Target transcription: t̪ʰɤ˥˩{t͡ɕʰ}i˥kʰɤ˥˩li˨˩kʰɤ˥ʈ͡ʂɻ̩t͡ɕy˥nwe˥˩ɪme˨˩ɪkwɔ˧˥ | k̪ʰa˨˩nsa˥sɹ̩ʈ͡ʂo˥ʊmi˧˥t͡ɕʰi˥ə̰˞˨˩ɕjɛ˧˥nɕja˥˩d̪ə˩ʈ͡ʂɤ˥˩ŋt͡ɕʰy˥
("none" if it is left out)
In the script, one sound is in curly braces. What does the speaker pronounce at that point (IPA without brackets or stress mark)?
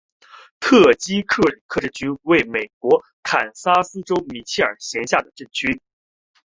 t͡ɕ